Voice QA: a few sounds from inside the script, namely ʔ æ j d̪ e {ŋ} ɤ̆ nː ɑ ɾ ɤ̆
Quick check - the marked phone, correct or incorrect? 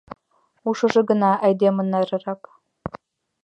incorrect